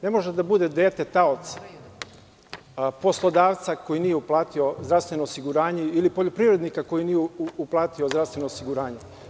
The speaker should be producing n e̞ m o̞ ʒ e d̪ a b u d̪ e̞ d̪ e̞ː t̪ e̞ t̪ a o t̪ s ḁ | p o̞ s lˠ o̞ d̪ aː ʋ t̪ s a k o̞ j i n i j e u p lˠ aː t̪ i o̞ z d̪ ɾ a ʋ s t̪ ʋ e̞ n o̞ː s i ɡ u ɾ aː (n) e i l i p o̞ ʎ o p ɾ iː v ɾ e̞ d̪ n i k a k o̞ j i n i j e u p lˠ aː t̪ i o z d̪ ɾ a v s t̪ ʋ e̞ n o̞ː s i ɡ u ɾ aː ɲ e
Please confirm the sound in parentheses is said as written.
no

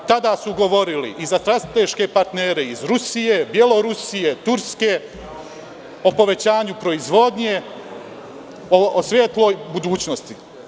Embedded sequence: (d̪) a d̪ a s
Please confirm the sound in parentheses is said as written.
no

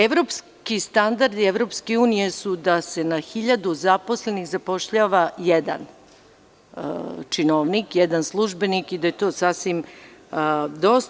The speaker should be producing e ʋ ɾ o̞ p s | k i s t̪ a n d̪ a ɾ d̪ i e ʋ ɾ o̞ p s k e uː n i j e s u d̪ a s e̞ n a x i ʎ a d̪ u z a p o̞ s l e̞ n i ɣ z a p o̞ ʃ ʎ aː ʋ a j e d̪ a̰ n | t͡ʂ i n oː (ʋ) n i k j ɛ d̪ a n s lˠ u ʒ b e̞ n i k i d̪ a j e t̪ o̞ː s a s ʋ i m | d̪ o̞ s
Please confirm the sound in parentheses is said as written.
yes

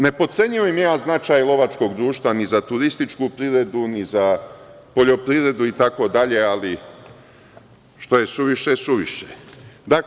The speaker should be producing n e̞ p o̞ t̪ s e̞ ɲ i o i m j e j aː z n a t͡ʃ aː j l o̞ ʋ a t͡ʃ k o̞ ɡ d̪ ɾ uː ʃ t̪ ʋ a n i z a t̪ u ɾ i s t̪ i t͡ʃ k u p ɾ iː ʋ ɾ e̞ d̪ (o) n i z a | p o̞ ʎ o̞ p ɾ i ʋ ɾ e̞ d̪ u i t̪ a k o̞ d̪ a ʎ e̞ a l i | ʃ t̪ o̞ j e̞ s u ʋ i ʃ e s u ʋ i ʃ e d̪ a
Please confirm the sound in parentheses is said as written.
no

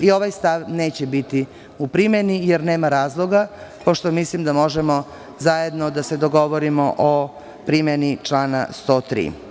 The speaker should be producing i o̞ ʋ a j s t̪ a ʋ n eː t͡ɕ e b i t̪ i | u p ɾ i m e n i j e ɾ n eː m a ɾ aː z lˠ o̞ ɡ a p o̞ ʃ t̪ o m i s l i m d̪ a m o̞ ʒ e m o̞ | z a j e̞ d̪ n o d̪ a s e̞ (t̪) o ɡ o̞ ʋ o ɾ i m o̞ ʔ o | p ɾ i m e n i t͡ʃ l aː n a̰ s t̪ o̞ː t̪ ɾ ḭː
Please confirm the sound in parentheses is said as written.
no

